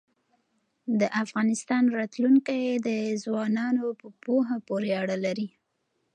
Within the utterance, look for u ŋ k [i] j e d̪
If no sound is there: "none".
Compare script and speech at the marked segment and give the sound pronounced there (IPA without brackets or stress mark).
a